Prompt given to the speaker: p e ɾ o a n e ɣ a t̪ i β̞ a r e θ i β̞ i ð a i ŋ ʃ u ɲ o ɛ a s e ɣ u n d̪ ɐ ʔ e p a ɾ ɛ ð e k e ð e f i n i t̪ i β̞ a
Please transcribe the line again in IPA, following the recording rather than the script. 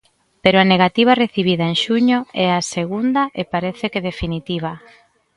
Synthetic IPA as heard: p e ɾ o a n e ɣ a t̪ i β̞ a r e θ i β̞ i ð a e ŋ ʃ u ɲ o ɛ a s e ɣ u n d̪ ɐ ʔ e p a ɾ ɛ θ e k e ð e f i n i t̪ i β̞ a